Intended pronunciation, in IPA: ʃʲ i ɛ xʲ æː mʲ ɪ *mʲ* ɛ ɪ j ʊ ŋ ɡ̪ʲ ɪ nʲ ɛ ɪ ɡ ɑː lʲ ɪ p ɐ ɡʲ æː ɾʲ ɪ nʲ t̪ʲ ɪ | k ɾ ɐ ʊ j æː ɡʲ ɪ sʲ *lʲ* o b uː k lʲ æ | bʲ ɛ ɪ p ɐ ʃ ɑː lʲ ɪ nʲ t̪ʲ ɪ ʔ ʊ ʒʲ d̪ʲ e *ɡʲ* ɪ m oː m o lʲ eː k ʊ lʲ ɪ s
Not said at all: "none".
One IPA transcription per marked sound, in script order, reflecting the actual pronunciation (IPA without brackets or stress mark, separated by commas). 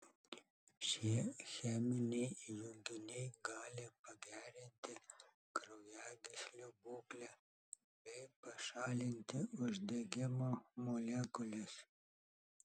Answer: nʲ, lʲ, ɡʲ